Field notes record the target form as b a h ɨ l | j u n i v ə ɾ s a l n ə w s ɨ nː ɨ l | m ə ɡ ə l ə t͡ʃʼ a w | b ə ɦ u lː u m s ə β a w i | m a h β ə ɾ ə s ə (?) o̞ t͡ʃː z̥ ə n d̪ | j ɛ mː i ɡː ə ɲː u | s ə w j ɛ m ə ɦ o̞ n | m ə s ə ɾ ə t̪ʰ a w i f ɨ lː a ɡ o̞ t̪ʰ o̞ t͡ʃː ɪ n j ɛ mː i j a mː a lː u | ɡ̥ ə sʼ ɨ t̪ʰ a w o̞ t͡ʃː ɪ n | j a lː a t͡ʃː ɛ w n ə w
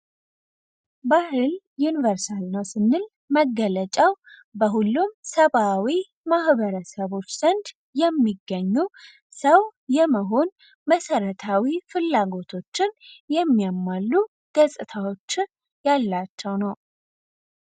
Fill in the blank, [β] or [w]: β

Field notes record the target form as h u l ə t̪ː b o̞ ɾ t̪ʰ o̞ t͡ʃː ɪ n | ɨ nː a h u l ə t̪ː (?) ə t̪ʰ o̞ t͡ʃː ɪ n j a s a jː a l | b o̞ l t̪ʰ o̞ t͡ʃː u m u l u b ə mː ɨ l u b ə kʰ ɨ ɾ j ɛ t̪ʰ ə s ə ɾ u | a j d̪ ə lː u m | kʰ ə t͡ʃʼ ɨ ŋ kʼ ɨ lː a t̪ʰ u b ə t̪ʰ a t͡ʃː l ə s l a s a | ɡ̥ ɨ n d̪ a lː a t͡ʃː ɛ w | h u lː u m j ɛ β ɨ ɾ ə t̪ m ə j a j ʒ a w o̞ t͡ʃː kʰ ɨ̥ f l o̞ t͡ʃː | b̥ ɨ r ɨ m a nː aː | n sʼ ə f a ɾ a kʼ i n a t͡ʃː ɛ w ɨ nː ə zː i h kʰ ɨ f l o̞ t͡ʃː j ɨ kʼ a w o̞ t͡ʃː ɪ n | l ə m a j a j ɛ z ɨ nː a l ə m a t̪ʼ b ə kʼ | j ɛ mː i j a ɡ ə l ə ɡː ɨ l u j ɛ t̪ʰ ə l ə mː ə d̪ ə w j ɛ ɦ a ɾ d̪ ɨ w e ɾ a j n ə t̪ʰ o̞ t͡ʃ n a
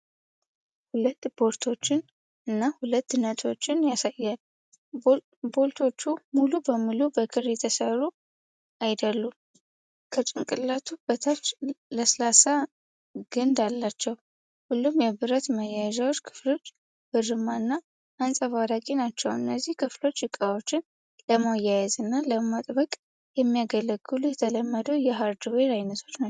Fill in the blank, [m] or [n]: n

